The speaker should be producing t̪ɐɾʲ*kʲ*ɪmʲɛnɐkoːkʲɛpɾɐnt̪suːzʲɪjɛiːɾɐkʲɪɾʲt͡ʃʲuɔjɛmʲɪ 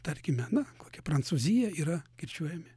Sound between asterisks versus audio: correct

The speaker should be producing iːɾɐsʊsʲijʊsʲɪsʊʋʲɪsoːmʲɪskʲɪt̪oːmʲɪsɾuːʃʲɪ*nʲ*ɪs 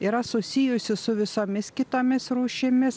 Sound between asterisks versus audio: incorrect: mʲ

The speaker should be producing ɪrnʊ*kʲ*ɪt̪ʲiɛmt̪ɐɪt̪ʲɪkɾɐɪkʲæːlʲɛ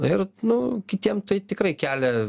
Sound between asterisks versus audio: correct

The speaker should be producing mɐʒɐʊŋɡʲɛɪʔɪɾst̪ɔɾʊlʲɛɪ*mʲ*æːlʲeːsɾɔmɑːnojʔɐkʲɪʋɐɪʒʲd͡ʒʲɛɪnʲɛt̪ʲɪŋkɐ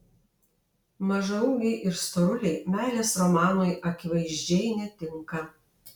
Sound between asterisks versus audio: correct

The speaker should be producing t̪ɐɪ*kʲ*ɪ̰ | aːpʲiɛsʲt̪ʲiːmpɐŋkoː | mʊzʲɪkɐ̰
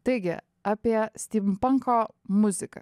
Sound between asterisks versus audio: incorrect: ɡʲ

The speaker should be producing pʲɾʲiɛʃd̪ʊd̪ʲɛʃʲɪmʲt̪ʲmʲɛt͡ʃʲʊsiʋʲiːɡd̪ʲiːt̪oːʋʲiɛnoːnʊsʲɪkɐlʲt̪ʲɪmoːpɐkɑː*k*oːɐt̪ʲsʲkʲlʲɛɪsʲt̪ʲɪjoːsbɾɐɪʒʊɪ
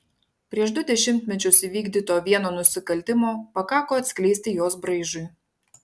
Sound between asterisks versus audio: correct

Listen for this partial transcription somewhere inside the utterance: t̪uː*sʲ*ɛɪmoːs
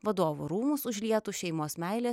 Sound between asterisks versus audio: incorrect: ʃʲ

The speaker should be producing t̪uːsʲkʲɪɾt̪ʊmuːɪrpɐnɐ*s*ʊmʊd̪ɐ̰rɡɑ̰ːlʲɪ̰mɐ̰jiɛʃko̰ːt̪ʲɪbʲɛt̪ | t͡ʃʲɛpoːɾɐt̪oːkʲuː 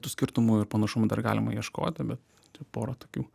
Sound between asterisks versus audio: incorrect: ʃ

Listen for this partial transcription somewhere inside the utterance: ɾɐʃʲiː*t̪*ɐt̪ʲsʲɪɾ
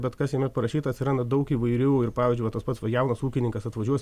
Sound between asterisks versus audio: correct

